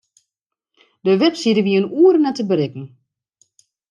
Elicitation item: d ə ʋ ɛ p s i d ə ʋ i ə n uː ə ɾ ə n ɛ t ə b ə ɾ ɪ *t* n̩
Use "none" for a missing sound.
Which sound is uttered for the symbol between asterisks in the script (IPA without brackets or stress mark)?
k